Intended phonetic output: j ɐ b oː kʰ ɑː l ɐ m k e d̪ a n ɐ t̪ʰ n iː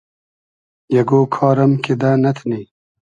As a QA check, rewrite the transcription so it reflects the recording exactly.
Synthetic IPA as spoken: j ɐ ɡ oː kʰ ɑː ɾ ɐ m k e d̪ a n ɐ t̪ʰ n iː